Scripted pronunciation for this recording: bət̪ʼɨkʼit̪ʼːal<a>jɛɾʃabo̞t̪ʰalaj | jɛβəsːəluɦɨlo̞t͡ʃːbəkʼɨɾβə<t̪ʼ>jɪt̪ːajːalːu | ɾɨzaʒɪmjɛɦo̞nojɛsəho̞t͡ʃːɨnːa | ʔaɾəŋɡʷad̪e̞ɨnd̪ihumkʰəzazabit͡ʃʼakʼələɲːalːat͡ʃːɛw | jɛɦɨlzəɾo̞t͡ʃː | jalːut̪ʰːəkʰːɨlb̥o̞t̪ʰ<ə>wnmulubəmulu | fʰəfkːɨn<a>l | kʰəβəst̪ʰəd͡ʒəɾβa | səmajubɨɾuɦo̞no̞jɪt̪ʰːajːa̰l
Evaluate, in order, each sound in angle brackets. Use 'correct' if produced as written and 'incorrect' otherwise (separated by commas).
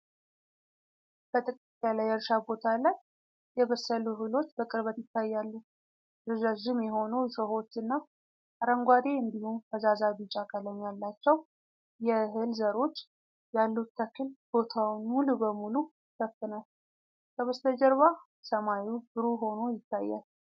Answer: correct, incorrect, incorrect, correct